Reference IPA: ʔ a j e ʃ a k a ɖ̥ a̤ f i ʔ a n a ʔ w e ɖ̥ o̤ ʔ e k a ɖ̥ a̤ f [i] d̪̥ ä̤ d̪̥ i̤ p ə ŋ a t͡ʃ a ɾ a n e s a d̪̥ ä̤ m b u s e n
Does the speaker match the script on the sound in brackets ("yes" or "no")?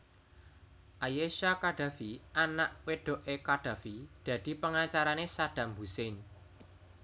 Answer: yes